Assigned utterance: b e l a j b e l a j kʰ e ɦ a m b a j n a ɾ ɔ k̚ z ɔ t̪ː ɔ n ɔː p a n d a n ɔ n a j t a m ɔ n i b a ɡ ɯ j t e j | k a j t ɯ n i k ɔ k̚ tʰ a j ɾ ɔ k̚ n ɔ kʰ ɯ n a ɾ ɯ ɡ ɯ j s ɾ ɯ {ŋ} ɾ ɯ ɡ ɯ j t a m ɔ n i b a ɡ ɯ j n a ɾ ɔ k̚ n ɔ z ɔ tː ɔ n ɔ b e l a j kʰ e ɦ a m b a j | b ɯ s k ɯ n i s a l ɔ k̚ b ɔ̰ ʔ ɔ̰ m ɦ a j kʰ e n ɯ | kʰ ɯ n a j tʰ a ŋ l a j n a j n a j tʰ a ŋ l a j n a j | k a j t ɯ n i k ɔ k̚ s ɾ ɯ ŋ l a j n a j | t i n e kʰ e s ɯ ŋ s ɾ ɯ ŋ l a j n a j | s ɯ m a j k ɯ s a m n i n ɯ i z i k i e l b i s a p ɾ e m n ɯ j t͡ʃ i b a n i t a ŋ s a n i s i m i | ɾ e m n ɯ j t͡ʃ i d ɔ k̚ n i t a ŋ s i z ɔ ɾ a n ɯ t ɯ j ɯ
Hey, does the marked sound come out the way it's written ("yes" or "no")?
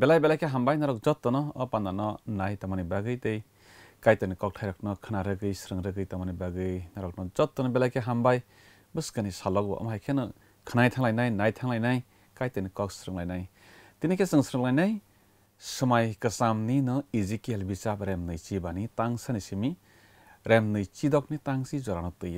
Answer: yes